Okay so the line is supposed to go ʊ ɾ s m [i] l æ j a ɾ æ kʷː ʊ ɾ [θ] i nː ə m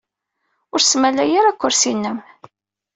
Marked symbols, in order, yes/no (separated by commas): no, no